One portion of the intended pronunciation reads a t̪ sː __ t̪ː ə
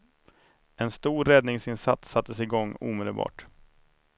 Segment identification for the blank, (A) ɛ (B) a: B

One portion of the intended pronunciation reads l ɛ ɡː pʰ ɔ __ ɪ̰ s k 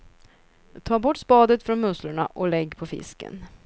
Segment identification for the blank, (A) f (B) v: A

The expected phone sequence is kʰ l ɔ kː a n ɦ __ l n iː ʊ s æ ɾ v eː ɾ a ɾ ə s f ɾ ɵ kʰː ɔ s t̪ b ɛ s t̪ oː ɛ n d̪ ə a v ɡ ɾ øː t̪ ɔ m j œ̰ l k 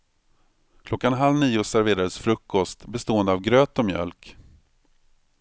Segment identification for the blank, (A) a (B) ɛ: A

